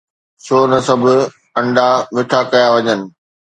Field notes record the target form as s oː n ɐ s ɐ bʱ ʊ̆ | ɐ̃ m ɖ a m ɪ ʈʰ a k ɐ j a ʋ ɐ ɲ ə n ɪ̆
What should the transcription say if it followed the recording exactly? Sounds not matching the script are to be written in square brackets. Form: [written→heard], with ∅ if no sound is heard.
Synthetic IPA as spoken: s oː n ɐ s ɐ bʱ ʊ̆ | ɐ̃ [m→ɳ] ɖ a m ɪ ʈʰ a k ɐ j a ʋ ɐ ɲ ə n ɪ̆